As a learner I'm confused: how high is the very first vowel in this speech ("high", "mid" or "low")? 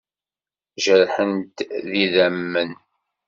mid